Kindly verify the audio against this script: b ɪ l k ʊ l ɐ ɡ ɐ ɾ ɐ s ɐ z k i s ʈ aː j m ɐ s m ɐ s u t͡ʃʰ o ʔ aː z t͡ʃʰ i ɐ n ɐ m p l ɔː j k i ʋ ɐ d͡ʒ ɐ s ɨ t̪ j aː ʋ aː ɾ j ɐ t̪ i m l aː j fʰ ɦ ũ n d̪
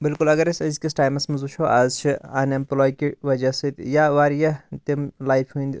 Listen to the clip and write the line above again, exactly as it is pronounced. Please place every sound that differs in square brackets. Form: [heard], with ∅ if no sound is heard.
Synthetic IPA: b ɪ l k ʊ l ɐ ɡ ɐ ɾ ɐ s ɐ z k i s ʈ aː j m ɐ s m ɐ [z] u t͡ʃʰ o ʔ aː z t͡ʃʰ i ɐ n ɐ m p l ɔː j k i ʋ ɐ d͡ʒ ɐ s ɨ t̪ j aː ʋ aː ɾ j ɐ t̪ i m l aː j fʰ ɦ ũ n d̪